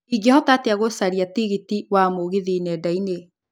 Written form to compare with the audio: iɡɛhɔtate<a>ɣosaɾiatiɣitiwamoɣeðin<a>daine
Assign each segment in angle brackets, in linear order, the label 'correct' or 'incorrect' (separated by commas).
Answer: correct, incorrect